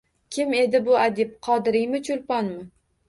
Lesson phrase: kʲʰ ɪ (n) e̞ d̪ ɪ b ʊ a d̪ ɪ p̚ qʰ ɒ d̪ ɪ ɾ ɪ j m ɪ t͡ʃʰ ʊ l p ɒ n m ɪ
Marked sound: incorrect: m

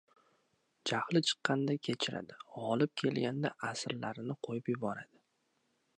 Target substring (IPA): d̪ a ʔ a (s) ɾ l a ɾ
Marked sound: correct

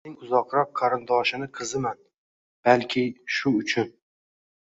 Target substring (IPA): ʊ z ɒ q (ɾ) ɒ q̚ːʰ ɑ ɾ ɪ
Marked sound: correct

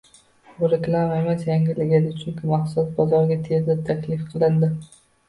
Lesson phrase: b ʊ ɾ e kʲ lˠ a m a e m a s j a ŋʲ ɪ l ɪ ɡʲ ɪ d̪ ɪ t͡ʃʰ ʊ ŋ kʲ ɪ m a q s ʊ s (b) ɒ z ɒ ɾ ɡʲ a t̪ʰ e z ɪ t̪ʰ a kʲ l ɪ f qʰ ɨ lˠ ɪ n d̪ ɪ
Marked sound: correct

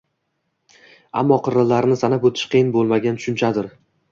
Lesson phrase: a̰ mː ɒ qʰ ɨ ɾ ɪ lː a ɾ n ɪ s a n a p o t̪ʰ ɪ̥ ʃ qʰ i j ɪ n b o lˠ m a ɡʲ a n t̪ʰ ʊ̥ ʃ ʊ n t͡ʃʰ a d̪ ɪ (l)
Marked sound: incorrect: ɾ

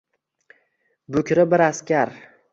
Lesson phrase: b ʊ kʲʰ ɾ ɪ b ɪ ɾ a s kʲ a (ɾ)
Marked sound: correct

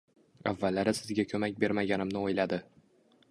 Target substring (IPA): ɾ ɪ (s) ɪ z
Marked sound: correct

